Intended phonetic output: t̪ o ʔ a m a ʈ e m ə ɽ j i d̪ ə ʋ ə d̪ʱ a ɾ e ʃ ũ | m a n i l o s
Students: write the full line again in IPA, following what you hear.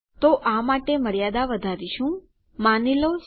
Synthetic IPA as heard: t̪ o ʔ a m a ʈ e m ə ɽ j a d̪ a ʋ ə d̪ʱ a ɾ i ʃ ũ | m a n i l o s